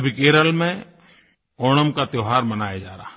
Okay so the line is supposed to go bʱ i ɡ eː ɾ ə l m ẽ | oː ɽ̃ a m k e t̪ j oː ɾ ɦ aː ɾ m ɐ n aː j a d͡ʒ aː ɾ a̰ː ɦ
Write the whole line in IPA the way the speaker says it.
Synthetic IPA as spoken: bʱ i k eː ɾ ə l m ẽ | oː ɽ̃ ə m k a t̪ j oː ɦ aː ɾ m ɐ n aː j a d͡ʒ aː ɾ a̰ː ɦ